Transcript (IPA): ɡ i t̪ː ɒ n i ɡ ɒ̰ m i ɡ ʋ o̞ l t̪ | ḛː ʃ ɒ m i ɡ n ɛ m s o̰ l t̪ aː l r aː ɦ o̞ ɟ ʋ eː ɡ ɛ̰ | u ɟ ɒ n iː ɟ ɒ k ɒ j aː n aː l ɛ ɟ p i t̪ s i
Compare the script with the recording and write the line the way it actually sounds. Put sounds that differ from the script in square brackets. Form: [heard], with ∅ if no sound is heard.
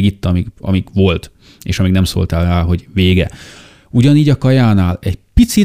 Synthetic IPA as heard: ɡ i t̪ː ɒ [m] i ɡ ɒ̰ m i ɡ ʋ o̞ l t̪ | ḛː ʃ ɒ m i ɡ n ɛ m s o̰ l t̪ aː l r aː ɦ o̞ ɟ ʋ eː ɡ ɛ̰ | u ɟ ɒ n iː ɟ ɒ k ɒ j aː n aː l ɛ ɟ p i t̪ s i